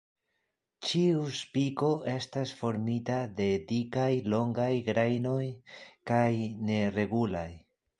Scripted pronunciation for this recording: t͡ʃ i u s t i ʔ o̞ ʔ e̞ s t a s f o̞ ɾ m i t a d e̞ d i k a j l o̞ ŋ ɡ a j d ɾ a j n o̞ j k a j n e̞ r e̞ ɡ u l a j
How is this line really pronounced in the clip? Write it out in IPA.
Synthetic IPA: t͡ʃ i u s p i k o̞ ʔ e̞ s t a s f o̞ ɾ m i t a d e̞ d i k a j l o̞ ŋ ɡ a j ɡ ɾ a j n o̞ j k a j n e̞ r e̞ ɡ u l a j